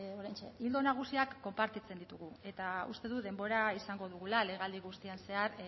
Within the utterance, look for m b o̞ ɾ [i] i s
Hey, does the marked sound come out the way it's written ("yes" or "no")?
no